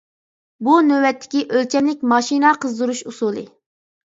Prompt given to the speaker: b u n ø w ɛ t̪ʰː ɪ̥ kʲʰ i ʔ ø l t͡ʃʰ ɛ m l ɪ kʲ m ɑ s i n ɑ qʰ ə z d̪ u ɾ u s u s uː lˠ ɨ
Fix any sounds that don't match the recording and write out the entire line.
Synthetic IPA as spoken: b u n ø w ɛ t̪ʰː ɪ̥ kʲ i ʔ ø l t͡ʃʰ ɛ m l ɪ kʲ m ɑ ʃ i n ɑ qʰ ə z d̪ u ɾ u ʃ u s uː lˠ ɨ